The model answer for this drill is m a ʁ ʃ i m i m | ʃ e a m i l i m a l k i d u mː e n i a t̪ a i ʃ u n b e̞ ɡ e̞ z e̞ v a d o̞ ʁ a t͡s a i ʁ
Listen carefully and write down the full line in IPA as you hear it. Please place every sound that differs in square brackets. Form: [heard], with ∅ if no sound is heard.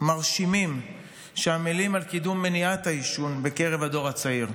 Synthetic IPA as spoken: m a ʁ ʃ i m i m | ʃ e a m i l i m a l k i d u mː e n i a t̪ a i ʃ u n b e̞ [k] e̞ [ʁ] e̞ v a d o̞ ʁ a t͡s a i ʁ